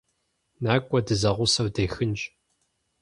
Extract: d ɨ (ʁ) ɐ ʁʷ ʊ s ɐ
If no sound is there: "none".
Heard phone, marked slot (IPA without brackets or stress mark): z